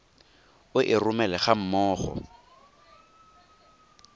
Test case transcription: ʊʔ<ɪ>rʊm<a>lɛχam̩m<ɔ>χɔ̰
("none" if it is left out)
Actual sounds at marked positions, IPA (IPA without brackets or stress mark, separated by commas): ɪ, ɛ, ɔː